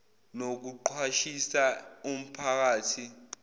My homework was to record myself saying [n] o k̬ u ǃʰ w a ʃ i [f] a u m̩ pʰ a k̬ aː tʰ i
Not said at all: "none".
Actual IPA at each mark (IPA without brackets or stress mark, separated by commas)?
n, s